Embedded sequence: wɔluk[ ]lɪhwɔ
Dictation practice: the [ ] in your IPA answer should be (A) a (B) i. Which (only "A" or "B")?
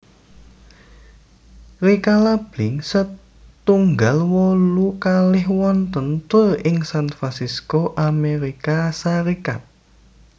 A